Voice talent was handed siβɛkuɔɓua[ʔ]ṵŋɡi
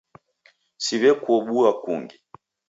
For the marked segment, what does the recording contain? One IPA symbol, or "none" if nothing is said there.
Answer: k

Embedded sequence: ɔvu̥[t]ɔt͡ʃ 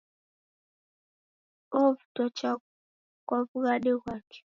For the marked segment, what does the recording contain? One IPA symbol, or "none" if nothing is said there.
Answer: t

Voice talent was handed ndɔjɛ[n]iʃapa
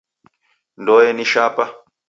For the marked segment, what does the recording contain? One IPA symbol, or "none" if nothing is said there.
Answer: n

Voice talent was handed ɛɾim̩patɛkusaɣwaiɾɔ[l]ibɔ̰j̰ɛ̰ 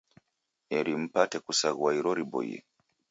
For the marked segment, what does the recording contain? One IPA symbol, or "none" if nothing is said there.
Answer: ɾ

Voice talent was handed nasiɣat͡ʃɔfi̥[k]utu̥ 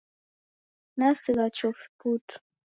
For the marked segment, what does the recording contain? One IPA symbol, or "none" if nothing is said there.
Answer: p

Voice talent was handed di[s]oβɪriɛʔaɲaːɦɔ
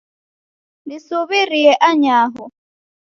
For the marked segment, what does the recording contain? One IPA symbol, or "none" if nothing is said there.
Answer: s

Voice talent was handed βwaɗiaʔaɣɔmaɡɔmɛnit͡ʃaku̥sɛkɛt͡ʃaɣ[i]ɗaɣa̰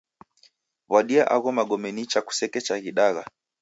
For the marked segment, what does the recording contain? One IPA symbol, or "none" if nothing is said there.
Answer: i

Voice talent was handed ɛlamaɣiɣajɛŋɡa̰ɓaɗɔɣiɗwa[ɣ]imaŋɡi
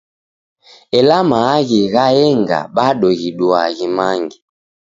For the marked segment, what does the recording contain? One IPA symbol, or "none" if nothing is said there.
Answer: ɣ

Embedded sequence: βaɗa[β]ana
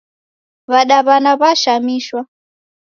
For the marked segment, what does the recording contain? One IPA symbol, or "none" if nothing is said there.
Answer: β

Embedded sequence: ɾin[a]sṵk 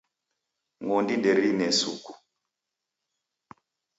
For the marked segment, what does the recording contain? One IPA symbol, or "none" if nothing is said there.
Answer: ɛ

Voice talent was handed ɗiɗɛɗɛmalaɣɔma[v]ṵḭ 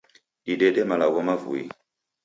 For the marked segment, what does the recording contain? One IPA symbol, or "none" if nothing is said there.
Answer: v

